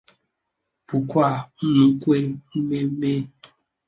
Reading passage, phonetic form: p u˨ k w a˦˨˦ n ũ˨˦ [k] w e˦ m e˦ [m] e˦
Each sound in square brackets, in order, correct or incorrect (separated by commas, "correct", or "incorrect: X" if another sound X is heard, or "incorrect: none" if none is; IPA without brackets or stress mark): correct, correct